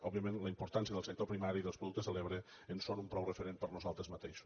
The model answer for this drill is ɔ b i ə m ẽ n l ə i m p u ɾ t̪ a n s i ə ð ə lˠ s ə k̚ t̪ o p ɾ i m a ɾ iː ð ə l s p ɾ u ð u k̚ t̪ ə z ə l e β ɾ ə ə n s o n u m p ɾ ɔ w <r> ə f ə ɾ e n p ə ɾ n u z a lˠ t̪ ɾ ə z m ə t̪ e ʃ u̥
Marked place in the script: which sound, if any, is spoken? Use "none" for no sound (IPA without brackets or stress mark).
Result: r